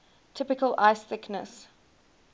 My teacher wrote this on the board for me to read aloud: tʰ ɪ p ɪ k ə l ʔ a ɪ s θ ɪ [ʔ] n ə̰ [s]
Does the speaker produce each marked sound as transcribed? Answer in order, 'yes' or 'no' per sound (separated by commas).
no, yes